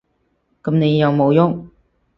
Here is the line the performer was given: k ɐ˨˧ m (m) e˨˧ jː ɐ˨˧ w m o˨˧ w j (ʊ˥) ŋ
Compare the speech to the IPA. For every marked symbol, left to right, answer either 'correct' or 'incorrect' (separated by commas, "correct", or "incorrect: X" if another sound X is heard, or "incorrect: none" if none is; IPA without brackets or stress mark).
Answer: incorrect: n, correct